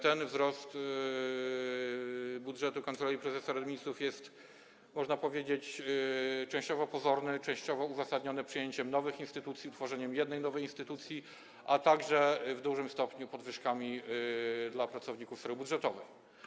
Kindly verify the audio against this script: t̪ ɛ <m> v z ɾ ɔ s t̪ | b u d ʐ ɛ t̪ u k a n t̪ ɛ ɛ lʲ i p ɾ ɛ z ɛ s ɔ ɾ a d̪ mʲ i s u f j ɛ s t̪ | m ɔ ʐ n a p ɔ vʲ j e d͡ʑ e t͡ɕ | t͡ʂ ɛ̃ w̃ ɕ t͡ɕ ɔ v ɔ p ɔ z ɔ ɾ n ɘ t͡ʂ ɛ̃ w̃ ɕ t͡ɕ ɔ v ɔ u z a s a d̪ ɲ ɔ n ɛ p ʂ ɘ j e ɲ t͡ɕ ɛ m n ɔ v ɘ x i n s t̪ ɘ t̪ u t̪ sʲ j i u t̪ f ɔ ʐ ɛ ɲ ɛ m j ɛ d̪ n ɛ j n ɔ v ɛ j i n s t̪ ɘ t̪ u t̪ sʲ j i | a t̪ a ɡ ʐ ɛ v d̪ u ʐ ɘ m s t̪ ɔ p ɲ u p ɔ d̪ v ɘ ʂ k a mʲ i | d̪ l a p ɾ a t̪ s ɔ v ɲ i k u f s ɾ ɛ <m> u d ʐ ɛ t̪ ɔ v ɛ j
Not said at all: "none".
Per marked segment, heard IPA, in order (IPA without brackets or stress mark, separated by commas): n, b